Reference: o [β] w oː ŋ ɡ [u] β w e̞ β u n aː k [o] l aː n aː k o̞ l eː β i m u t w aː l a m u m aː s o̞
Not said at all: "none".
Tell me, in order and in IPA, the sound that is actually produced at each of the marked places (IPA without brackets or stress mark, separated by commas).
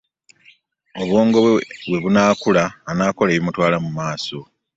β, o, u